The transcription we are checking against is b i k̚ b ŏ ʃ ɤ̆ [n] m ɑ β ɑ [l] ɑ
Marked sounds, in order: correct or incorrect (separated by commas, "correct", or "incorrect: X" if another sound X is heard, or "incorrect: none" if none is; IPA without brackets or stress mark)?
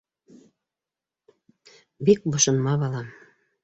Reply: correct, correct